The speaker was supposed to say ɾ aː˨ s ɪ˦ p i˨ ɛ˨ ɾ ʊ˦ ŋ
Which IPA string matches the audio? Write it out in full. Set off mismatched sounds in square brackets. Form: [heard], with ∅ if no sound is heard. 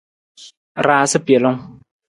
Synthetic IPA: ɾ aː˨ s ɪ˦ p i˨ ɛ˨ [l] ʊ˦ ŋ